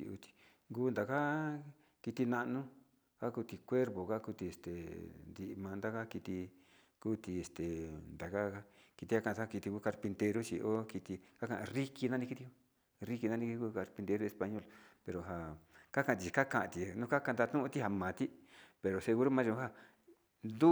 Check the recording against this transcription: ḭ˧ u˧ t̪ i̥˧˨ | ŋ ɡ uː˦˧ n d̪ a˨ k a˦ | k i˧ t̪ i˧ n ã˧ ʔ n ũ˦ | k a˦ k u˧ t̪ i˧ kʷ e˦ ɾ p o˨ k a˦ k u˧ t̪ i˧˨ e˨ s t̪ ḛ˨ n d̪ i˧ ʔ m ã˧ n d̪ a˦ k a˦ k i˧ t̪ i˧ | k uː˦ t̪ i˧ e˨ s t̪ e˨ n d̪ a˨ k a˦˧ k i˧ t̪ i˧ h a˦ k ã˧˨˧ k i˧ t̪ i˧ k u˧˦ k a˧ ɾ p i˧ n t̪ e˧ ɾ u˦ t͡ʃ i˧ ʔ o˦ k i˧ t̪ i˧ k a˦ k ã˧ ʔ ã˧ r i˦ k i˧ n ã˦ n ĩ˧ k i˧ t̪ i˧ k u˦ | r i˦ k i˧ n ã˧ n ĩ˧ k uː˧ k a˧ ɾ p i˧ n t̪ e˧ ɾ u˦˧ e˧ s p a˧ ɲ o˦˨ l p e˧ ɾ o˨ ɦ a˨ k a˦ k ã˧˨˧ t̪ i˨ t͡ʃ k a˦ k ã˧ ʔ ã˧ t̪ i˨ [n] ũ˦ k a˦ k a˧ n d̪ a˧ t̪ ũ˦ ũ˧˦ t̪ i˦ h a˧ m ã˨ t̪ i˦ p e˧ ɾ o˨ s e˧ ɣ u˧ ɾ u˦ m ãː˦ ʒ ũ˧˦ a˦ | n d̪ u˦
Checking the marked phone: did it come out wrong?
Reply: no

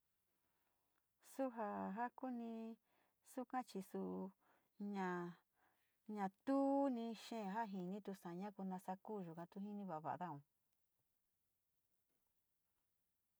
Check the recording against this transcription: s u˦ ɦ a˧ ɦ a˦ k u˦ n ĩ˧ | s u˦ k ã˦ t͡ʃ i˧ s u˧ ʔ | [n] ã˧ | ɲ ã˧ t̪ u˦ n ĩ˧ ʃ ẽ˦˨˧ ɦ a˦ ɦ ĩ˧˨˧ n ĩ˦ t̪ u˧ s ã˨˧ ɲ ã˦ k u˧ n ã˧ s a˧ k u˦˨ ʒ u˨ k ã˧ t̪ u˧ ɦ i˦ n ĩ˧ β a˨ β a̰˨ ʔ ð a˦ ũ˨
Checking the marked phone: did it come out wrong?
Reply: yes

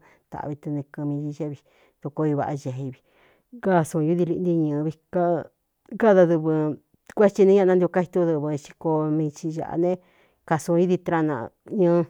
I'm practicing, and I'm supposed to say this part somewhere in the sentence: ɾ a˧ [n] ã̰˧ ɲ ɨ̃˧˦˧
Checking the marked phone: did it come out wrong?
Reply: no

